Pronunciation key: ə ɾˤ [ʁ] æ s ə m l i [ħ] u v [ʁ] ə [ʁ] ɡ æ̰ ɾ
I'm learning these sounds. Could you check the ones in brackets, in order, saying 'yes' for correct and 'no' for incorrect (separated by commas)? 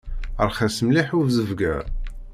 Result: no, yes, no, no